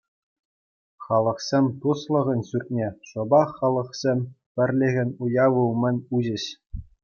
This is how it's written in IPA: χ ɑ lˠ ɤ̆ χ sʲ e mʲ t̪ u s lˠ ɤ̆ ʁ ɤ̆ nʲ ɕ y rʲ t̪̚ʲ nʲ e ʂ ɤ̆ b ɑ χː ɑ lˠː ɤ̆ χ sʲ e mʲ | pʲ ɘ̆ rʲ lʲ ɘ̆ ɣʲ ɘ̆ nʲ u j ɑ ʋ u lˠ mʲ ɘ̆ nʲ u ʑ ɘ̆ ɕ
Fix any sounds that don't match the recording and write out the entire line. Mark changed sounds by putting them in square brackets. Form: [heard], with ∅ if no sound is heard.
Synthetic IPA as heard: χ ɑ lˠ ɤ̆ χ sʲ e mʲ t̪ u s lˠ ɤ̆ ʁ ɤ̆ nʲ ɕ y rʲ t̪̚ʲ nʲ e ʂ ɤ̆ b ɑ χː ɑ [lˠ] ɤ̆ χ sʲ e mʲ | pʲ ɘ̆ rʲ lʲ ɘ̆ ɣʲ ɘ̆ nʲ u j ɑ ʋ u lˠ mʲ ɘ̆ nʲ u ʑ ɘ̆ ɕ